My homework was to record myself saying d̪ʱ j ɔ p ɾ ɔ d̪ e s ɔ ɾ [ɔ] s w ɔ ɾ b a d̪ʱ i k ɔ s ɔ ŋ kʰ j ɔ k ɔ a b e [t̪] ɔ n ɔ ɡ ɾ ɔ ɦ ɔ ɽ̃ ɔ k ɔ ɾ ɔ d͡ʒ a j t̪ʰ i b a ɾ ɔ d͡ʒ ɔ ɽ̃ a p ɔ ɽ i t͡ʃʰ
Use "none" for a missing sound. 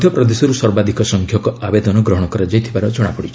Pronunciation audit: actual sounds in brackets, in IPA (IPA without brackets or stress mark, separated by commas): u, d̪